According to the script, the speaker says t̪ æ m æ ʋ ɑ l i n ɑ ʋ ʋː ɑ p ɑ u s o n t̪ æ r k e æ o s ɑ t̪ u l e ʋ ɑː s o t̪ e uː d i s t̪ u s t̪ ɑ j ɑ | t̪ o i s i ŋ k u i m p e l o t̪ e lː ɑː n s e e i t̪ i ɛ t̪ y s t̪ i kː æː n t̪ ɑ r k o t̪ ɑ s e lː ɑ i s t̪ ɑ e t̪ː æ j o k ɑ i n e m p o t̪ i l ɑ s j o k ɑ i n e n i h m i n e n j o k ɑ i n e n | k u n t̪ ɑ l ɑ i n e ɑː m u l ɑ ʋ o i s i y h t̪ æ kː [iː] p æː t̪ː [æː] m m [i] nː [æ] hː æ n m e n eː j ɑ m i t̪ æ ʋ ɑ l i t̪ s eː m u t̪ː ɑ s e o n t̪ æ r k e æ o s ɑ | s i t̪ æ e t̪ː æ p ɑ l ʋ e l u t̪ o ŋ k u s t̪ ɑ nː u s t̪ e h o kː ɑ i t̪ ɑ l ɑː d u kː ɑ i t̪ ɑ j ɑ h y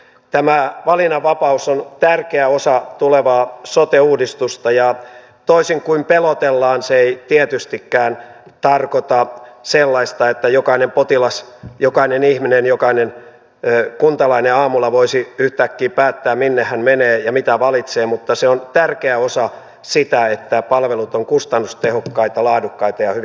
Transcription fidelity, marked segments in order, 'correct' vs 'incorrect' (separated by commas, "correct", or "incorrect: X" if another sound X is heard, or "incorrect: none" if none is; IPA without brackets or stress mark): correct, correct, correct, incorrect: e